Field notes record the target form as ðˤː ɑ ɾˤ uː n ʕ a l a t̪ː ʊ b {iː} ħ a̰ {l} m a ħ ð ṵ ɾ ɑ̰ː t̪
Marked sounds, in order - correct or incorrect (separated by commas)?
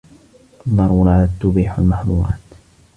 correct, correct